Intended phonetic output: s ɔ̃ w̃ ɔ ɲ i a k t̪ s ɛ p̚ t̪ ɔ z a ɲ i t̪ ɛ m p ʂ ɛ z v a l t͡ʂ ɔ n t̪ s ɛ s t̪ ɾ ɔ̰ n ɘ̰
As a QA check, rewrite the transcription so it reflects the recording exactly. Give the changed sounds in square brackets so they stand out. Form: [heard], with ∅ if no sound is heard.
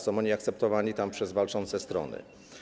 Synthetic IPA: s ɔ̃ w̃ ɔ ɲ i a k t̪ s ɛ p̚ t̪ ɔ [v] a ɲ i t̪ [a] m p ʂ ɛ z v a l t͡ʂ ɔ n t̪ s ɛ s t̪ ɾ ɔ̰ n ɘ̰